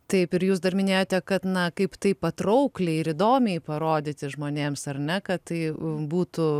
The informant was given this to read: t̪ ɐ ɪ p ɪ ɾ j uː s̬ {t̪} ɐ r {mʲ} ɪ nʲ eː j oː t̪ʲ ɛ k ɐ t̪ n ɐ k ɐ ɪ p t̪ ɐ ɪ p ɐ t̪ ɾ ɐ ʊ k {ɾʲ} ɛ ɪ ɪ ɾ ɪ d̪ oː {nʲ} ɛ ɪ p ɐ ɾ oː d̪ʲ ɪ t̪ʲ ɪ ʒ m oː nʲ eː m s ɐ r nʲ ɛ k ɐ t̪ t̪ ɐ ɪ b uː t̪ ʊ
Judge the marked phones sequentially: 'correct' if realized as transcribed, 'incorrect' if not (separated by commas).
incorrect, correct, incorrect, incorrect